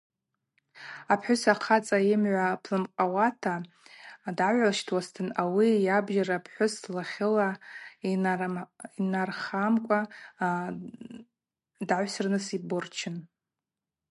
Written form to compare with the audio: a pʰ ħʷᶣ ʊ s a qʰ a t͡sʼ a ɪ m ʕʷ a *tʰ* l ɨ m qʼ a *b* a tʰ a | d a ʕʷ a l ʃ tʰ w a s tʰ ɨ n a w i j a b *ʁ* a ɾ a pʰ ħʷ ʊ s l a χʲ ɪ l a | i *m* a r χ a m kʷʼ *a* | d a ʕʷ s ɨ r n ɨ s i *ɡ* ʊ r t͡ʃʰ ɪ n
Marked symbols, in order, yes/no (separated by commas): no, no, no, no, yes, no